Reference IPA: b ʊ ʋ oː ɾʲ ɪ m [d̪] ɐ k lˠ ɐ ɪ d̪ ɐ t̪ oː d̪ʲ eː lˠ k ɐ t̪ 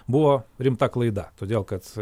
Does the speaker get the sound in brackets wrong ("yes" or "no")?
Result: yes